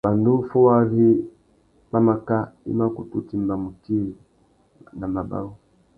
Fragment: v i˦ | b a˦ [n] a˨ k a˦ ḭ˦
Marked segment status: incorrect: m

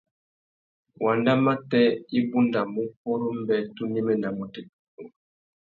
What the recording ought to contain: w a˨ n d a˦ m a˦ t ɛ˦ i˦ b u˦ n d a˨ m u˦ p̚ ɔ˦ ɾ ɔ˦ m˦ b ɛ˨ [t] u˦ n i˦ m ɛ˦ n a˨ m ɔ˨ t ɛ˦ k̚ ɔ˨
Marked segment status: correct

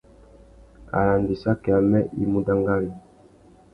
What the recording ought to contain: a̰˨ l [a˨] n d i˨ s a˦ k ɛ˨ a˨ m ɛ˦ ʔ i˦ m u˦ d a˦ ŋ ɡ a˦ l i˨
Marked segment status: correct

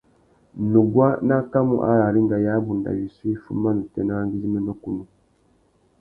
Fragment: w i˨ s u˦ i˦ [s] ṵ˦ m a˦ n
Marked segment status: incorrect: f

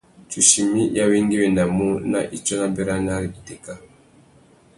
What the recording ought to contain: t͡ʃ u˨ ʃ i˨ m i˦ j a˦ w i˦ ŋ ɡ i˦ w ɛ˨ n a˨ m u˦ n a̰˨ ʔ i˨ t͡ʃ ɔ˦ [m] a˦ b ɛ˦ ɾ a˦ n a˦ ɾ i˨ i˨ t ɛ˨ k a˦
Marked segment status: incorrect: n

